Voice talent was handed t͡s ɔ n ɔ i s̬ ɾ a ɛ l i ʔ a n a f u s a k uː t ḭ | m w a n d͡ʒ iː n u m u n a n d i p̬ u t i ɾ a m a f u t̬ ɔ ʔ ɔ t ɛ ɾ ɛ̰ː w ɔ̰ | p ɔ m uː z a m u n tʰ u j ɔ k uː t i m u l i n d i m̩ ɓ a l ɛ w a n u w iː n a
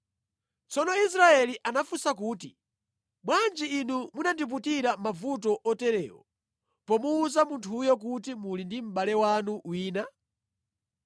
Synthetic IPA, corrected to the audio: t͡s ɔ n ɔ i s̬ ɾ a ɛ l i ʔ a n a f u s a k uː t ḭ | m w a n d͡ʒ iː n u m u n a n d i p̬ u t i ɾ a m a v u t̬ ɔ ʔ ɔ t ɛ ɾ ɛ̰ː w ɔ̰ | p ɔ m uː z a m u n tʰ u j ɔ k u t i m u l i n d i m̩ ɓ a l ɛ w a n u w iː n a